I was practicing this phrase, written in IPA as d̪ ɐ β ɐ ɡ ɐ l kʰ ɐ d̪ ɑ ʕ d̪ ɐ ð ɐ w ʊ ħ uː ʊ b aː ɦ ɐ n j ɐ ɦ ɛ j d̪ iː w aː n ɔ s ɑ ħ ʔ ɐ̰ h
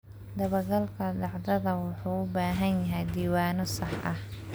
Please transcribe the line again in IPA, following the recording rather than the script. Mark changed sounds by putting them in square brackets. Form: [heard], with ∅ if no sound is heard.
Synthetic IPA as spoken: d̪ ɐ β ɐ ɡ ɐ l kʰ ɐ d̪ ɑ ʕ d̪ ɐ ð ɐ w ʊ ħ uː ʊ b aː ɦ ɐ n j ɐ ɦ ɛ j d̪ iː w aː n ɔ s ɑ ħ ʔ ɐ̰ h